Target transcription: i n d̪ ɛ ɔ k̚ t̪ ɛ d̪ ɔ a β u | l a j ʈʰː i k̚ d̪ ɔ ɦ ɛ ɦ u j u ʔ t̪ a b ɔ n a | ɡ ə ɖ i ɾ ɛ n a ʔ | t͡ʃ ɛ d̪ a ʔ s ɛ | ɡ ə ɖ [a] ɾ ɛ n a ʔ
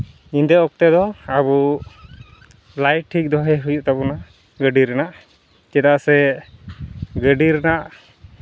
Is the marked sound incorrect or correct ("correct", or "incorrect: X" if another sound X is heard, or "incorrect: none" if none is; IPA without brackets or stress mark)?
incorrect: i